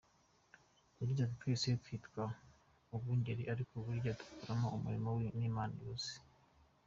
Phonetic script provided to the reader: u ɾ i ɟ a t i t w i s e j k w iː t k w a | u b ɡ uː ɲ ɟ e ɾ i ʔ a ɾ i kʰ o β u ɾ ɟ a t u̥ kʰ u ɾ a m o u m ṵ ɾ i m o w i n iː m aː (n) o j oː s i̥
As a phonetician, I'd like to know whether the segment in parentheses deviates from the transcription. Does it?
no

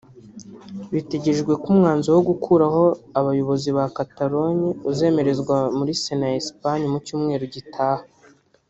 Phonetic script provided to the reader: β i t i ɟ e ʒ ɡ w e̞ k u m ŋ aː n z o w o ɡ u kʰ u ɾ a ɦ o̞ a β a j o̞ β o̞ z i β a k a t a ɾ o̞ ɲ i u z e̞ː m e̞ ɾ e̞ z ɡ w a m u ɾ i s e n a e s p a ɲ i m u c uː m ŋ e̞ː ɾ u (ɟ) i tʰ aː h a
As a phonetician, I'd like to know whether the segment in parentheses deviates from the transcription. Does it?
no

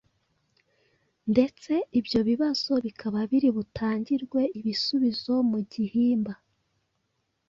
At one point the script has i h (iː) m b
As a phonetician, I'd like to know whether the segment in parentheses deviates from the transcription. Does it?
no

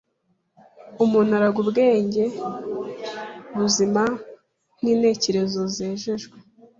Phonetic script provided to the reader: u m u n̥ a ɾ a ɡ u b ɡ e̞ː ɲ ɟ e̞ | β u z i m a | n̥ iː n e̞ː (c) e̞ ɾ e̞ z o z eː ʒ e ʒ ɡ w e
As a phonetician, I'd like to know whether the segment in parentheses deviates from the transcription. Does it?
no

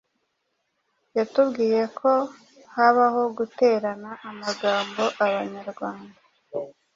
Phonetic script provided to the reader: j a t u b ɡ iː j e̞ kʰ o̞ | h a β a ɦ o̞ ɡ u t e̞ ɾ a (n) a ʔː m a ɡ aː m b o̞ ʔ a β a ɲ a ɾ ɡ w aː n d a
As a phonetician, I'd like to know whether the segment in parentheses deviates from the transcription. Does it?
no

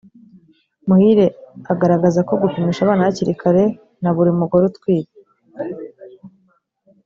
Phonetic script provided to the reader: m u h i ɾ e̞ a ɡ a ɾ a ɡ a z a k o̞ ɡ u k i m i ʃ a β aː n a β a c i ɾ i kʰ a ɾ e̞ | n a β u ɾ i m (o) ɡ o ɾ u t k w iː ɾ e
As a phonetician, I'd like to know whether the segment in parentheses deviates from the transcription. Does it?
yes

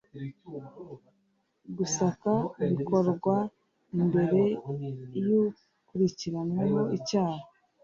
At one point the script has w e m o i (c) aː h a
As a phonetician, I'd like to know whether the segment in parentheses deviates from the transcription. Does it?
no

